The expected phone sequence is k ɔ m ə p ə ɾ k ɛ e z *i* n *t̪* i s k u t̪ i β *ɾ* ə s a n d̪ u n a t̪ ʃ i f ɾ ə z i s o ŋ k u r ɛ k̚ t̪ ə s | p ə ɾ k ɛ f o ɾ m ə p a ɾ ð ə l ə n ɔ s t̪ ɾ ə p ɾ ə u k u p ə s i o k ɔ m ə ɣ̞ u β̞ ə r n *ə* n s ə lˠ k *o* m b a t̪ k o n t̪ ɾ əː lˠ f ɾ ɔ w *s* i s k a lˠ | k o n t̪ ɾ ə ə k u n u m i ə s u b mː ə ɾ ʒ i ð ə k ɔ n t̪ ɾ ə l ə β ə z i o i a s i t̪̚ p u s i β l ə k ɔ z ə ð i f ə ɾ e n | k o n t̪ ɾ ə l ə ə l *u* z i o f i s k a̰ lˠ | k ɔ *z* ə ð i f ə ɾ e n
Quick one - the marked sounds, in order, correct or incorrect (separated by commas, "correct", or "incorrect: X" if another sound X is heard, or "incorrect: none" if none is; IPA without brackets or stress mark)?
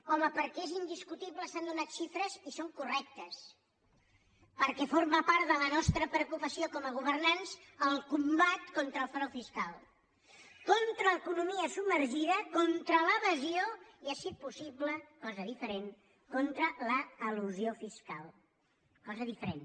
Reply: correct, incorrect: d̪, incorrect: l, incorrect: a, incorrect: u, incorrect: f, correct, correct